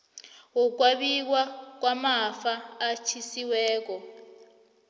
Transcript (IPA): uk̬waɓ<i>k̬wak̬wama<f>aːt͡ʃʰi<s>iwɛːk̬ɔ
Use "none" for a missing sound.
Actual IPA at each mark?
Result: i, f, s

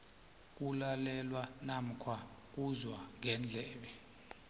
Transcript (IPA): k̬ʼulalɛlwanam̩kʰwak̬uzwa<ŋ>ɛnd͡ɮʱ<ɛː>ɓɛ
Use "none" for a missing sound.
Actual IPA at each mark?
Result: ŋ, ɛː

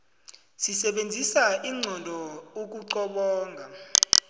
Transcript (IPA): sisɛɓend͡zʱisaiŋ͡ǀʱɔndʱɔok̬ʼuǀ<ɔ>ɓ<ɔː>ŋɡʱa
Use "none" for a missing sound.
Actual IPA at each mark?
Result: ɔ, ɔː

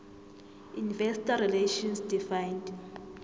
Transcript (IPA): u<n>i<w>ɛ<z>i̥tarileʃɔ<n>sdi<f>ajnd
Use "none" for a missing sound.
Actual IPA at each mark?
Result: n, v, s, n, f

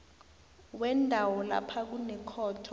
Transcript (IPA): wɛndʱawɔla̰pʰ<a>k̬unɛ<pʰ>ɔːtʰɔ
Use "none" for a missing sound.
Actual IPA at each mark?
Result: a, kʰ

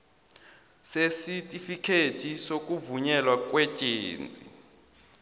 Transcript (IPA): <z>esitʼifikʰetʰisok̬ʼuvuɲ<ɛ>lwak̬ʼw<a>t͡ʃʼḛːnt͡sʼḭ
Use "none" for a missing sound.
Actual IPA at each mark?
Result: s, ɛ, ɛ

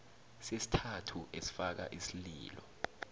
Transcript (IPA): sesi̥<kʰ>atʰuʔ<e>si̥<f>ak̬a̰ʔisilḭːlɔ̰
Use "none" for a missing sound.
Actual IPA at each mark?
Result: tʰ, e, f

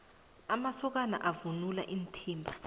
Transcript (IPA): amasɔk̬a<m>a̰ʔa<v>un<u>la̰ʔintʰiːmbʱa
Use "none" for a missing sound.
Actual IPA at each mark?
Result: n, v, u

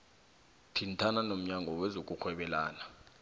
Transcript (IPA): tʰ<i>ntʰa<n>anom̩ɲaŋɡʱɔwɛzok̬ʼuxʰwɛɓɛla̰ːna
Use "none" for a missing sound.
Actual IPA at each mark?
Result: i, n

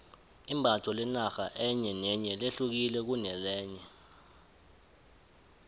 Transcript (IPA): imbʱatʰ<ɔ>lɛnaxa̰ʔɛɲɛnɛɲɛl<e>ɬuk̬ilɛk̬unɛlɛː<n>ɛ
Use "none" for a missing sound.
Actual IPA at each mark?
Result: ɔ, e, ɲ

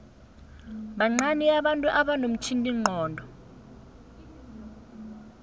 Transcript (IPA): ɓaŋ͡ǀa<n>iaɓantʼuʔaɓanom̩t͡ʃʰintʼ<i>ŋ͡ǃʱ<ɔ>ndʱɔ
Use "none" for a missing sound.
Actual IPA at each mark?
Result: n, i, ɔː

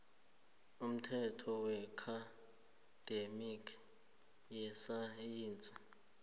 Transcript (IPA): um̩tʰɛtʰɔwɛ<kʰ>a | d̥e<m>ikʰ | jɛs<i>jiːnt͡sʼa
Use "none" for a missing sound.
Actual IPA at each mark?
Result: kʰ, m, a

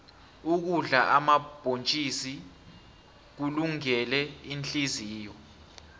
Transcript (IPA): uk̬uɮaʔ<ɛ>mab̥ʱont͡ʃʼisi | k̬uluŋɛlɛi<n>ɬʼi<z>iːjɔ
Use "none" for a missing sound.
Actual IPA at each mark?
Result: a, n, z

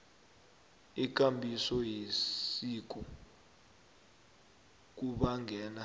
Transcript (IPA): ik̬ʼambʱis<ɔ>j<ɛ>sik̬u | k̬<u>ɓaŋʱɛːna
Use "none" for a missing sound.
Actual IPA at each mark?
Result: ɔ, i, u

